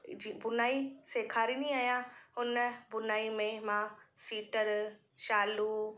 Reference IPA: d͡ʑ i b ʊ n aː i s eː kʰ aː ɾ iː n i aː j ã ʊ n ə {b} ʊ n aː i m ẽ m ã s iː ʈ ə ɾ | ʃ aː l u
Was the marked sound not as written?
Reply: no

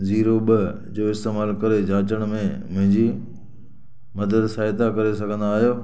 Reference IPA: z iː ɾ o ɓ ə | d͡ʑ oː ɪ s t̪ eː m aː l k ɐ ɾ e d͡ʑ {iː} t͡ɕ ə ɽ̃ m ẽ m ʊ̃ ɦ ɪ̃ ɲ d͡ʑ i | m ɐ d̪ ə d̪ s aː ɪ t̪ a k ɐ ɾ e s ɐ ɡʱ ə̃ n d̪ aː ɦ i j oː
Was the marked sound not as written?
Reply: yes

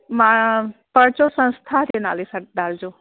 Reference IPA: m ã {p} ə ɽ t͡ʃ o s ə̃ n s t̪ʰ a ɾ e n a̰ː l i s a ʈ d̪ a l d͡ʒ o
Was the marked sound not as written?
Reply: no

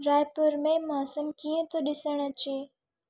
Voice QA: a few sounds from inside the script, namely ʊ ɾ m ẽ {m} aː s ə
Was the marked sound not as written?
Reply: no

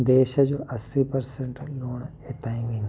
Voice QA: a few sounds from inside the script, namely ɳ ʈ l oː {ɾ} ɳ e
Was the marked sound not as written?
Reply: yes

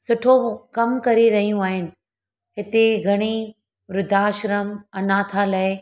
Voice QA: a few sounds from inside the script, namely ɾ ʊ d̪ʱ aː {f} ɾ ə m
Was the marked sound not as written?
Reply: yes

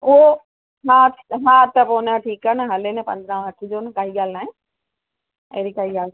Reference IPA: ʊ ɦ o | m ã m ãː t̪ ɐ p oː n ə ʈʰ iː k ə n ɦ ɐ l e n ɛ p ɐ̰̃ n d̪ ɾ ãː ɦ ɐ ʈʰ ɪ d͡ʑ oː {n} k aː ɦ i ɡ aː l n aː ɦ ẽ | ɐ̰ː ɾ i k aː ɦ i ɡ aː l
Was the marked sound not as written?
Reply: no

